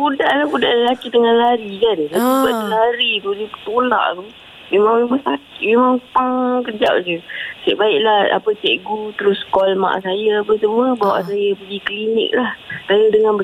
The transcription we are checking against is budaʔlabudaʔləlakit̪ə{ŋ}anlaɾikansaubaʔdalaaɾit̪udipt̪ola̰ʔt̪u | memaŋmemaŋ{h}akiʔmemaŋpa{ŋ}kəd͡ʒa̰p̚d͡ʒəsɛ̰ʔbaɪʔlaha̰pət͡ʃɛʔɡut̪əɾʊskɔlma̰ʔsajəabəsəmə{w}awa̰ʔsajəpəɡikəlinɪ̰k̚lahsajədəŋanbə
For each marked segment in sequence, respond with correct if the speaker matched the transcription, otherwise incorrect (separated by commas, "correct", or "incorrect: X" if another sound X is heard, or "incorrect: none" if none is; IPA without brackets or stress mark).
correct, incorrect: s, correct, incorrect: b